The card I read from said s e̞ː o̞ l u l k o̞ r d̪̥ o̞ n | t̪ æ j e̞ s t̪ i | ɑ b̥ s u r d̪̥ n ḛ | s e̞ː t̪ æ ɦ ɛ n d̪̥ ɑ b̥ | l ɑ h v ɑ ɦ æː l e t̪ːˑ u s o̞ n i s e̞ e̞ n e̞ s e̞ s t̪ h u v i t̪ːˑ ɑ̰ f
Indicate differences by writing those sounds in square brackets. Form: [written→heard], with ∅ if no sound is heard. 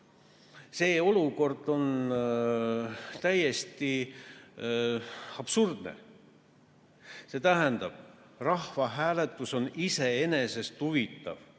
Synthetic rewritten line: s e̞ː o̞ l u [l→∅] k o̞ r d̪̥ o̞ n | t̪ æ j e̞ s t̪ i | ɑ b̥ s u r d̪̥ n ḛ | s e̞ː t̪ æ ɦ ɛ n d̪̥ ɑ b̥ | [l→r] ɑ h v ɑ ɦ æː l e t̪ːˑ u s o̞ n i s e̞ e̞ n e̞ s e̞ s t̪ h u v i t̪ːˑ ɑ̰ [f→v]